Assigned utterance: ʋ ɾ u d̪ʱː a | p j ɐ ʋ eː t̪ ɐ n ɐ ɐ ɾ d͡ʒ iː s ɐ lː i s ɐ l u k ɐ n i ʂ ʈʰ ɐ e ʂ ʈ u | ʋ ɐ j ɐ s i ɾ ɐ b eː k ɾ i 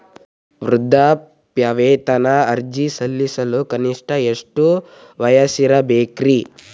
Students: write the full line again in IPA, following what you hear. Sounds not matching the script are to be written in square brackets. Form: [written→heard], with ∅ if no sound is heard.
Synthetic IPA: ʋ ɾ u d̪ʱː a | p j ɐ ʋ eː t̪ ɐ n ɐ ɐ ɾ d͡ʒ [iː→i] s ɐ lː i s ɐ l u k ɐ n i ʂ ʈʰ ɐ e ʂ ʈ u | ʋ ɐ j ɐ s i ɾ ɐ b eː k ɾ i